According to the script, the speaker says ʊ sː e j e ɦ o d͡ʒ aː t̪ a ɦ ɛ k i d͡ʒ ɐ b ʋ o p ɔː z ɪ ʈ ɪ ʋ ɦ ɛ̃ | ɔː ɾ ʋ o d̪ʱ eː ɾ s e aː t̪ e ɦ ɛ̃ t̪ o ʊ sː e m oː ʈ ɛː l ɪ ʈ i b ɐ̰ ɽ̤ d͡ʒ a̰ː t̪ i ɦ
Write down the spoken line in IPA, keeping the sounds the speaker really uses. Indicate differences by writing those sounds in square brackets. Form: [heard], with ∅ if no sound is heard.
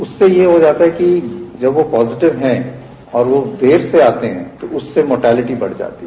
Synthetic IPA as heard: ʊ sː e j e ɦ o d͡ʒ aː t̪ a ɦ ɛ k i d͡ʒ ɐ b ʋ o p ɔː z ɪ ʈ ɪ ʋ ɦ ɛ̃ | ɔː ɾ ʋ o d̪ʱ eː ɾ s e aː t̪ e ɦ ɛ̃ t̪ o ʊ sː e m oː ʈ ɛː l ɪ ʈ i b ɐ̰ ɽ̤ d͡ʒ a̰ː t̪ i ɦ